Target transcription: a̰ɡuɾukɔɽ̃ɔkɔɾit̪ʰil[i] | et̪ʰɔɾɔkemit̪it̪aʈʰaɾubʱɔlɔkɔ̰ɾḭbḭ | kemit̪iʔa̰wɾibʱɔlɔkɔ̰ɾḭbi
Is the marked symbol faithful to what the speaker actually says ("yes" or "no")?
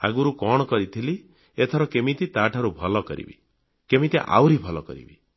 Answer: yes